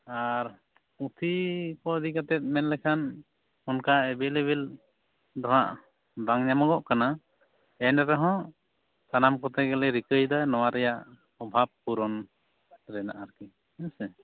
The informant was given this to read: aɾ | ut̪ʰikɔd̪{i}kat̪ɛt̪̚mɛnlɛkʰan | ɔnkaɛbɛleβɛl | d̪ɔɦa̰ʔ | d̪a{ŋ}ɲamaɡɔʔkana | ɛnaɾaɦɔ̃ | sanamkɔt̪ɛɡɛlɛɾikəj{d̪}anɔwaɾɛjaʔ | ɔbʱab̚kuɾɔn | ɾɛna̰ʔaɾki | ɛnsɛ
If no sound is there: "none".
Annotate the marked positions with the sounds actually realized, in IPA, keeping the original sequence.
i, ŋ, d̪

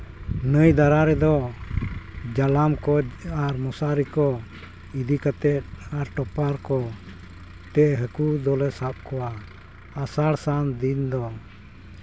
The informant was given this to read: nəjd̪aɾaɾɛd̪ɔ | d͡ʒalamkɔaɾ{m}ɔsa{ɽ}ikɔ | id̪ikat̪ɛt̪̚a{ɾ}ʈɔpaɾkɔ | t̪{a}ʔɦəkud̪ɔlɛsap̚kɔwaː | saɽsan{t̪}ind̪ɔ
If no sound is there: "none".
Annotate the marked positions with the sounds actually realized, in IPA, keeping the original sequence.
m, ɾ, ɾ, ɛ, d̪

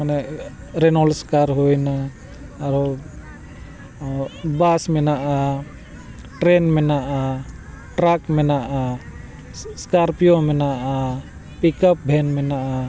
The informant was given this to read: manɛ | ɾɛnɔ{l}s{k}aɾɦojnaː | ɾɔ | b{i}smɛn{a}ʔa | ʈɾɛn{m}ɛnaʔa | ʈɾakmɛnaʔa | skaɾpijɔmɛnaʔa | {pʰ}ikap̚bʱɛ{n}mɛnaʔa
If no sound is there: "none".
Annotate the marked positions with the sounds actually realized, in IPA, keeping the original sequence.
l, k, a, a, m, p, n

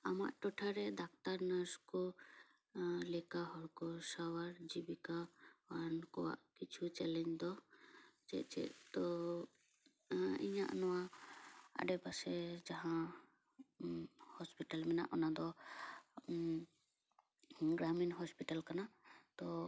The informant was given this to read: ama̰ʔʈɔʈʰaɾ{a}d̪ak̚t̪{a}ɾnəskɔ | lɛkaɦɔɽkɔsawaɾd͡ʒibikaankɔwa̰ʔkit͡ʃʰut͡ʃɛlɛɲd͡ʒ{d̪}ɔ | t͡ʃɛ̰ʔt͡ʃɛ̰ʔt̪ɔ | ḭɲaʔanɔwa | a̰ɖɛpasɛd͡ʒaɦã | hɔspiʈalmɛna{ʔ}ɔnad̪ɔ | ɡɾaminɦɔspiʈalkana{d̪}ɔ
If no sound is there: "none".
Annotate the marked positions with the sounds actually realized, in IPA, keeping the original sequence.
ɛ, a, d̪, ʔ, t̪

